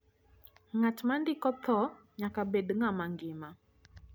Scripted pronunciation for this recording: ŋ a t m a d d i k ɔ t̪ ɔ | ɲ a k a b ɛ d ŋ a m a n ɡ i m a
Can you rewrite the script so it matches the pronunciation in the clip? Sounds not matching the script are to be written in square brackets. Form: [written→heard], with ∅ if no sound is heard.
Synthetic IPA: ŋ a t m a [d→n] d i k ɔ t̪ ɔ | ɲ a k a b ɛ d ŋ a m a [n→ŋ] ɡ i m a